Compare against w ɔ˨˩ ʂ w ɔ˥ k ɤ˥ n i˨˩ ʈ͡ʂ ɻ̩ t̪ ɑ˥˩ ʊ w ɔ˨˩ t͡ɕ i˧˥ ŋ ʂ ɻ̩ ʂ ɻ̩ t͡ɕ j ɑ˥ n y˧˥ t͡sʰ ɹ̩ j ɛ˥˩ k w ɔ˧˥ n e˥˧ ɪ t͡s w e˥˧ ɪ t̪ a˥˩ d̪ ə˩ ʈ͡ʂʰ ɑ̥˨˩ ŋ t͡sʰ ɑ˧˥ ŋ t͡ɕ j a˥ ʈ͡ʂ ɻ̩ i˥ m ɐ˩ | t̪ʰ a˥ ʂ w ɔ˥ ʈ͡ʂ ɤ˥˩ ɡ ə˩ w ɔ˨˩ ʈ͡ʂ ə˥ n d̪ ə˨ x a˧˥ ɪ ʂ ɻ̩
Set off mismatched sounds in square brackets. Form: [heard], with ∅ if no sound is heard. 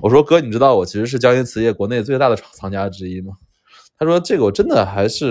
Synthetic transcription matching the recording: w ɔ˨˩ ʂ w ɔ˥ k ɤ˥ n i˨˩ ʈ͡ʂ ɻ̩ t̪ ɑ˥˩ ʊ w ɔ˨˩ [t͡ɕʰ] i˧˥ [∅] ʂ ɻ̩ ʂ ɻ̩ t͡ɕ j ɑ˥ [ŋ] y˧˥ t͡sʰ ɹ̩ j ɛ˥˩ k w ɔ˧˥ n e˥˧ ɪ t͡s w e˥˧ ɪ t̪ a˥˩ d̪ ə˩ ʈ͡ʂʰ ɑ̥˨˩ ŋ t͡sʰ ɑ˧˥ ŋ t͡ɕ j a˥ ʈ͡ʂ ɻ̩ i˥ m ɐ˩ | t̪ʰ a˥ ʂ w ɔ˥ ʈ͡ʂ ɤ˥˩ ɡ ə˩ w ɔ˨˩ ʈ͡ʂ ə˥ n d̪ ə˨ x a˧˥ ɪ ʂ ɻ̩